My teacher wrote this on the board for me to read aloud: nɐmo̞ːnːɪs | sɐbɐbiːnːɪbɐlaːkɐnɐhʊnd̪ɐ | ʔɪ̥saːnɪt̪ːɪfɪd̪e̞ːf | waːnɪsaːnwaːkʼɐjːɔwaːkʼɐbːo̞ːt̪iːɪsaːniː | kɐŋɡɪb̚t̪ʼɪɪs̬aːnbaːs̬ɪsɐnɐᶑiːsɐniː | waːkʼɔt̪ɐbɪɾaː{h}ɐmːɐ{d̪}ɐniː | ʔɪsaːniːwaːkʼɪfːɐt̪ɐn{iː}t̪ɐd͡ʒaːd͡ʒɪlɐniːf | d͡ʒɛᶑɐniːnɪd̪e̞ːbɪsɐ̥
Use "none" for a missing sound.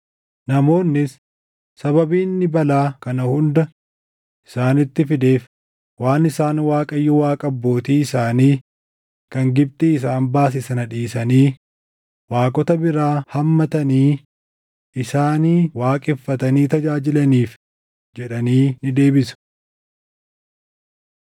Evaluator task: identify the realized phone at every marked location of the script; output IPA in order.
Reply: h, t̪, iː

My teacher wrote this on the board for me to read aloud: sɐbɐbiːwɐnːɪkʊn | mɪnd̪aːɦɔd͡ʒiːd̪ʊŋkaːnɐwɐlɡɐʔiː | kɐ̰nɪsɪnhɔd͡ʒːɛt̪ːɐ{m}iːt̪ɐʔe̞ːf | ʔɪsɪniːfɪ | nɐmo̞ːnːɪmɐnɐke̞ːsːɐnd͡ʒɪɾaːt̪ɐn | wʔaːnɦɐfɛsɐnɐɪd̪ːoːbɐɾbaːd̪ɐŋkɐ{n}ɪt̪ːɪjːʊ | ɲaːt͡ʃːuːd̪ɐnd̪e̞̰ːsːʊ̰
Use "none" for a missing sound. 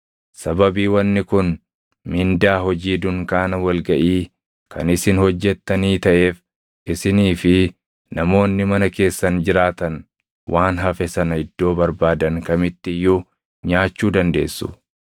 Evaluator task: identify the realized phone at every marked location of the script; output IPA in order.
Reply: n, m

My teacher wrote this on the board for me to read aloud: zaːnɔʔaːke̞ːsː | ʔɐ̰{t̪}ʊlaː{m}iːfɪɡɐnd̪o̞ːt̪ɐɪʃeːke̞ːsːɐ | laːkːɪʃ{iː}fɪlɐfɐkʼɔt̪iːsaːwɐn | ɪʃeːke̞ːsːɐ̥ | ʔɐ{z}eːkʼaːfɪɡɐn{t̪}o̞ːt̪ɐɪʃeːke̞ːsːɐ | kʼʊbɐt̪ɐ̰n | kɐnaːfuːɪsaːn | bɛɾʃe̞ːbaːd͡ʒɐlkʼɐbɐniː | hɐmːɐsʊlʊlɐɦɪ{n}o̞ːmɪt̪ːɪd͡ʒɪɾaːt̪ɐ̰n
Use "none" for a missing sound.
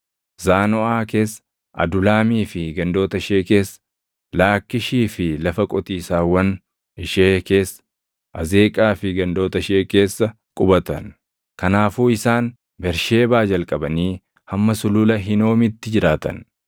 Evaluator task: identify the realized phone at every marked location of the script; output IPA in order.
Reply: d̪, m, iː, z, d̪, n

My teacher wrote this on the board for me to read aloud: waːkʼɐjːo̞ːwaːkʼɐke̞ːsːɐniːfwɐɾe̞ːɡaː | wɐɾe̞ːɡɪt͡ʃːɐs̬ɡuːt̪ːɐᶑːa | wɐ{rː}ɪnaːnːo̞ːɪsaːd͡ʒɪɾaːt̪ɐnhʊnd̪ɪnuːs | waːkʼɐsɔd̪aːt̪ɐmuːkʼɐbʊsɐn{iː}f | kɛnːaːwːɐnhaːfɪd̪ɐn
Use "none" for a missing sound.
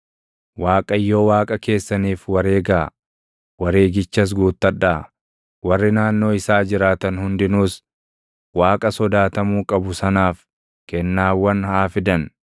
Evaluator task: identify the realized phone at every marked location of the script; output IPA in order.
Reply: rː, aː

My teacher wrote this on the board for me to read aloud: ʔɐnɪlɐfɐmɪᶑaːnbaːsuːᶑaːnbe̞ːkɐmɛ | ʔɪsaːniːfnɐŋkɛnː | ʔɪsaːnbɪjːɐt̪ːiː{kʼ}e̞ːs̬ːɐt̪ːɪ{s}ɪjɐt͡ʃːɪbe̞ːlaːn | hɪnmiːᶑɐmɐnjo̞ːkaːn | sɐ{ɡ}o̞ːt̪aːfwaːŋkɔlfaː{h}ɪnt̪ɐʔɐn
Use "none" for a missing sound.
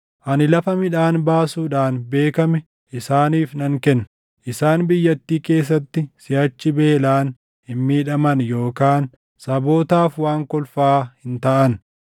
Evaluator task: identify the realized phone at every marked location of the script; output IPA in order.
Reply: k, s, b, h

